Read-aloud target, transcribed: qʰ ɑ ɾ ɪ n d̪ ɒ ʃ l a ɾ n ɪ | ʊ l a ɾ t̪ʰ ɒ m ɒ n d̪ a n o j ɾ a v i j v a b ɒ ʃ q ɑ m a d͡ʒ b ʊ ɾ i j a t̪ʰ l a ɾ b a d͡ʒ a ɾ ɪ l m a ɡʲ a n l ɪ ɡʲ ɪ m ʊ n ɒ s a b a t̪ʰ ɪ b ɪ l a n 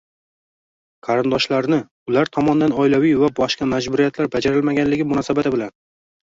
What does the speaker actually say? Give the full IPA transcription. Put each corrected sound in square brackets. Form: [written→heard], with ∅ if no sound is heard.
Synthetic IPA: qʰ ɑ ɾ ɪ n d̪ ɒ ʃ l a ɾ n ɪ | ʊ l a ɾ t̪ʰ ɒ m ɒ n d̪ a n [o→ɒ] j [ɾ→l] a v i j v a b ɒ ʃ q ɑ m a d͡ʒ b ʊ ɾ i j a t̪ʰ l a ɾ b a d͡ʒ a ɾ ɪ l m a ɡʲ a n l ɪ ɡʲ ɪ m ʊ n ɒ s a b a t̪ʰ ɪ b ɪ l a n

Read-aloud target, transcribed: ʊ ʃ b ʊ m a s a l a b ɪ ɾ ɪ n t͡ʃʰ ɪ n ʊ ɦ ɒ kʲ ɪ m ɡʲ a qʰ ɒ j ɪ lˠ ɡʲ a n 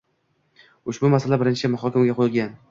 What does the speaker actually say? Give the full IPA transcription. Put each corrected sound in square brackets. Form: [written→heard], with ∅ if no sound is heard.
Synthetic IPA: ʊ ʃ b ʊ m a s a l a b ɪ ɾ ɪ n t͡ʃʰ ɪ [n→m] ʊ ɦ ɒ kʲ ɪ m ɡʲ a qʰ [ɒ→o] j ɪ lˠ ɡʲ a n

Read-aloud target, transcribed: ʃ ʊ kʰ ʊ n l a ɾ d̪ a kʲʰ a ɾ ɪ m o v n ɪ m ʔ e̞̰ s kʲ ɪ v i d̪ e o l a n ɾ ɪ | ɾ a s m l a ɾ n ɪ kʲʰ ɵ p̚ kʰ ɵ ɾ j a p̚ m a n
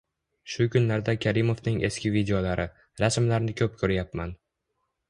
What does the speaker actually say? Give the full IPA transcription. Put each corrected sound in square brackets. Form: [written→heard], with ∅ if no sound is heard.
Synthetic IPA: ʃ ʊ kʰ ʊ n l a ɾ d̪ a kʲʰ a ɾ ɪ m o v n ɪ [m→ŋ] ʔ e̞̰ s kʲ ɪ v i d̪ e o l a [n→∅] ɾ ɪ | ɾ a s m l a ɾ n ɪ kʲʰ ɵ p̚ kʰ ɵ ɾ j a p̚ m a n

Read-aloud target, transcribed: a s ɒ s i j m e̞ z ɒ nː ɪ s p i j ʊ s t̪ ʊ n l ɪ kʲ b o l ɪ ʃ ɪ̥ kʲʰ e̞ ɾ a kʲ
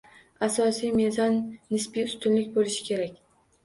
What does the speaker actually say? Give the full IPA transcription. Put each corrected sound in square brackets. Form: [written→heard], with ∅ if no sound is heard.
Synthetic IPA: a s ɒ s i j m e̞ z ɒ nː ɪ s p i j ʊ s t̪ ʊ n l ɪ kʲ b o l ɪ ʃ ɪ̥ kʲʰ e̞ ɾ a kʲ

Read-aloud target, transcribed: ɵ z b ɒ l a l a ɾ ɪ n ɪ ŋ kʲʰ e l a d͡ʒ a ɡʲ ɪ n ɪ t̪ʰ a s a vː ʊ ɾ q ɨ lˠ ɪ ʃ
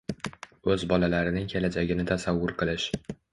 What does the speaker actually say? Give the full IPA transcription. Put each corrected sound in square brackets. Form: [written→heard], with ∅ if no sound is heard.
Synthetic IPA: ɵ z b ɒ l a l a ɾ ɪ n ɪ ŋ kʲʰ e l a d͡ʒ a ɡʲ ɪ n ɪ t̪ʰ a s a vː ʊ ɾ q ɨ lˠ ɪ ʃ

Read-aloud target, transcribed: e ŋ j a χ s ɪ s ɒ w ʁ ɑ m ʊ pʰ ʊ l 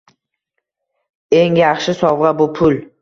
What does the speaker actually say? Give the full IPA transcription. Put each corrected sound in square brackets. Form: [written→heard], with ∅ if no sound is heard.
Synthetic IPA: e ŋ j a χ [s→ʃ] ɪ s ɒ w ʁ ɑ [m→b] ʊ pʰ ʊ l

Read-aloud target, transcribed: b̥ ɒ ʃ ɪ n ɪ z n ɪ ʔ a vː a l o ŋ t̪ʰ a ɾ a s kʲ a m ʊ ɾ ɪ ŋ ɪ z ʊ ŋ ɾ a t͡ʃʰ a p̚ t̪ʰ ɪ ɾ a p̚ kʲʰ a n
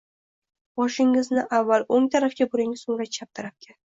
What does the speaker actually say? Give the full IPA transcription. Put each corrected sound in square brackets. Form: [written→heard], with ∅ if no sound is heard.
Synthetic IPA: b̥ ɒ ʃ ɪ [n→ŋ] ɪ z n ɪ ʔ a vː a l o ŋ t̪ʰ a ɾ a [s→f] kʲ a [m→b] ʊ ɾ ɪ ŋ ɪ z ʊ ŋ ɾ a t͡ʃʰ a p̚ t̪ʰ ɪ ɾ a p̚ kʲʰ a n

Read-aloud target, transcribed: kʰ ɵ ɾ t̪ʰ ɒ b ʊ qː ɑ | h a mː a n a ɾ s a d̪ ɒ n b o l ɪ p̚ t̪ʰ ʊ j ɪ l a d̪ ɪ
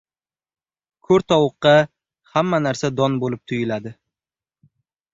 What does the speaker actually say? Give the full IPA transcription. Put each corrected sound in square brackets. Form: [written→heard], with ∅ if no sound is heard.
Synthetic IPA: kʰ ɵ ɾ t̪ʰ ɒ [b→w] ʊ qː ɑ | h a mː a n a ɾ s a d̪ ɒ n b o l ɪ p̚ t̪ʰ ʊ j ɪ l a d̪ ɪ

